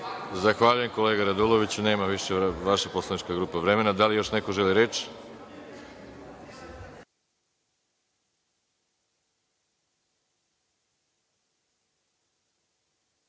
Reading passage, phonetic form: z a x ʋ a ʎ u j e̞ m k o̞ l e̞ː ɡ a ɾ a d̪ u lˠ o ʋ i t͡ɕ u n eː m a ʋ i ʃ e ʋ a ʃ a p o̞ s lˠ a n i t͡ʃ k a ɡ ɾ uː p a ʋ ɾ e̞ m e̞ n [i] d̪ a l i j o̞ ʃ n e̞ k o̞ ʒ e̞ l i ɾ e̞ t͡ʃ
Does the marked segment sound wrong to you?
yes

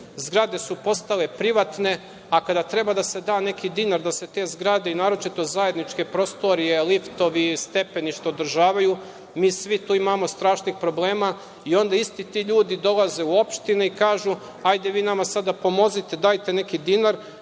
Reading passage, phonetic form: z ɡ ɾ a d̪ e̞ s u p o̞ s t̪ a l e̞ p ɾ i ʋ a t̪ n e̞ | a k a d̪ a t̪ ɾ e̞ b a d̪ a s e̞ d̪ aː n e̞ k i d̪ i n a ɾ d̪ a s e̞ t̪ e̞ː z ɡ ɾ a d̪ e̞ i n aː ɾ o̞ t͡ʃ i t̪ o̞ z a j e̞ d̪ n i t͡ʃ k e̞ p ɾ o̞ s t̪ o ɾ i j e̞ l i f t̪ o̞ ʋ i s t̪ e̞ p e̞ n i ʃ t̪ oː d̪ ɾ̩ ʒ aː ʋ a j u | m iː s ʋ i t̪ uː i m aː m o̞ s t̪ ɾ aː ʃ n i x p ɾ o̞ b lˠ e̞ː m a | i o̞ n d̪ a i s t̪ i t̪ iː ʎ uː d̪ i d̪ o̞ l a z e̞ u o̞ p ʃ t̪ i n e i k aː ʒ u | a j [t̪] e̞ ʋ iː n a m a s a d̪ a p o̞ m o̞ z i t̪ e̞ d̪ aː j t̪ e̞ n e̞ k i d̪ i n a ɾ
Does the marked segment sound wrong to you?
yes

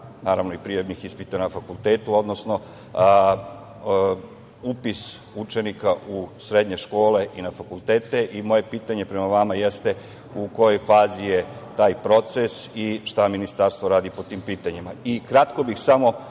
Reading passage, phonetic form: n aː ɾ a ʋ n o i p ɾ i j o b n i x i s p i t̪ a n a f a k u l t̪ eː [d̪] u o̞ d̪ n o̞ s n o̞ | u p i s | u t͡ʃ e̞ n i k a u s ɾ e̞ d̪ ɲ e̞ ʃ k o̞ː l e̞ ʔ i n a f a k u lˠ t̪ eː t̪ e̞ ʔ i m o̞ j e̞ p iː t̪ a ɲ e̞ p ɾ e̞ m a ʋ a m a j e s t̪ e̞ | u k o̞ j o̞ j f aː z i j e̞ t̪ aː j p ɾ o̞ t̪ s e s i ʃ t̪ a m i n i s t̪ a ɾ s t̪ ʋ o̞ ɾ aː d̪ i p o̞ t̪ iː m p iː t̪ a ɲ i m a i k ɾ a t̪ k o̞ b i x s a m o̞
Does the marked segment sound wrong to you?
yes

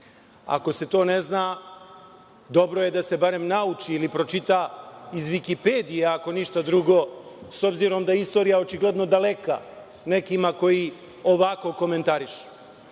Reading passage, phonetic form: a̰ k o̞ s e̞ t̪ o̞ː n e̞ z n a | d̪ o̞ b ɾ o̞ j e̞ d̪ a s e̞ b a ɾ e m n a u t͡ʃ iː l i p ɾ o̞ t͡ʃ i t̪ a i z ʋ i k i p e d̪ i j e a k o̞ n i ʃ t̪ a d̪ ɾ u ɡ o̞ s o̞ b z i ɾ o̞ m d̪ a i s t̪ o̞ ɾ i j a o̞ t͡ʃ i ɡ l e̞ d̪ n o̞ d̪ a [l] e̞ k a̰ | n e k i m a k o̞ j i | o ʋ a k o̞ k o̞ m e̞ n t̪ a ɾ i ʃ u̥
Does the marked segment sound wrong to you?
no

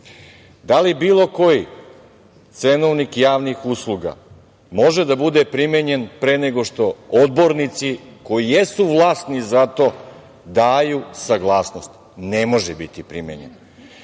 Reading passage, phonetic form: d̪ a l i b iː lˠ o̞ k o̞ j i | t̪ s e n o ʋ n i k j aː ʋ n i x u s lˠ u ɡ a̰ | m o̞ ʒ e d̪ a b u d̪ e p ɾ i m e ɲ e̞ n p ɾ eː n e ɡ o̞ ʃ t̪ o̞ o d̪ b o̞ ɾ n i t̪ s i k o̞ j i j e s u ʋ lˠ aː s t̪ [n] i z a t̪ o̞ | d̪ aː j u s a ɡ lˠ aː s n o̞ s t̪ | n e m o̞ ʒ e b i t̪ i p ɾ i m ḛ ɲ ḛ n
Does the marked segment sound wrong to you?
no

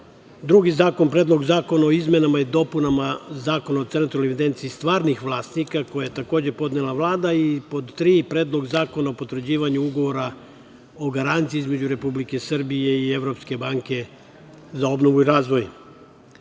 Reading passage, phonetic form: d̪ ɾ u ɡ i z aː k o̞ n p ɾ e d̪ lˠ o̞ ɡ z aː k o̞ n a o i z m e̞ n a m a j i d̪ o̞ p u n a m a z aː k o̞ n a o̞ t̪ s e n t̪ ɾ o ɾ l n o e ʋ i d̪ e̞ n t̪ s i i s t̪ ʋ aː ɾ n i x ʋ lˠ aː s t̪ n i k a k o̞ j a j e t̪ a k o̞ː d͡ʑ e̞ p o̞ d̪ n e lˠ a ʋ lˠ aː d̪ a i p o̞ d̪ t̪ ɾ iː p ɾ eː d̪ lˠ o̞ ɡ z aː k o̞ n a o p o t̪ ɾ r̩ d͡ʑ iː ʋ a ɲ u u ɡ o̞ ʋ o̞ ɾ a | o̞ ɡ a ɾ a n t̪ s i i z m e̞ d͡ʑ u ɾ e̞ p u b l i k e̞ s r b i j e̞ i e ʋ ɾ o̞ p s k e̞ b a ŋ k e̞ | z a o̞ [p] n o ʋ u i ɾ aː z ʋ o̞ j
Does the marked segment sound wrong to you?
yes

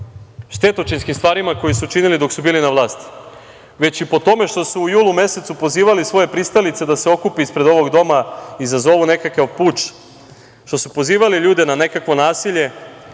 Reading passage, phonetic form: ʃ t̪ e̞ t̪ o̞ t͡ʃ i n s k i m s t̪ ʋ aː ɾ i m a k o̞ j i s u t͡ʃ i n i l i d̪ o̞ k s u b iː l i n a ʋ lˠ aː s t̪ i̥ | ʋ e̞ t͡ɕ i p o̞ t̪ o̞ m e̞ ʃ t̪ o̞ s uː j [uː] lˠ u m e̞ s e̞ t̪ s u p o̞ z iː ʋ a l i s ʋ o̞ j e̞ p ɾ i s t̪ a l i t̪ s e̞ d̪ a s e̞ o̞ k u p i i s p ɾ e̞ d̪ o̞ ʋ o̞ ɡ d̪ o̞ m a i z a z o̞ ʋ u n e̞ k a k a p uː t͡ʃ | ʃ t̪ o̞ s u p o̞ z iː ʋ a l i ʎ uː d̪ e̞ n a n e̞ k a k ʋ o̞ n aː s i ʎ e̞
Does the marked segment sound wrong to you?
no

